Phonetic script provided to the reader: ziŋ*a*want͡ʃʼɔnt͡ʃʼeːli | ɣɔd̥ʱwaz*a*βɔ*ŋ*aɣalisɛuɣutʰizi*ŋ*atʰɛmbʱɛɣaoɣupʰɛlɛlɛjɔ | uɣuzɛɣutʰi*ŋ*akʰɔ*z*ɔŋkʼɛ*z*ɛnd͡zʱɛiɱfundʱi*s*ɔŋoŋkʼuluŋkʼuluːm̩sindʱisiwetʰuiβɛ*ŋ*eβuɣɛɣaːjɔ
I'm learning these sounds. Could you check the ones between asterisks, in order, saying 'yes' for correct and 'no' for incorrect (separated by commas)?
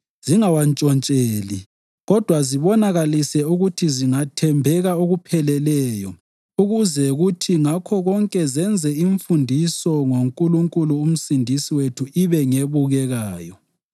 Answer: yes, no, no, yes, yes, no, yes, yes, yes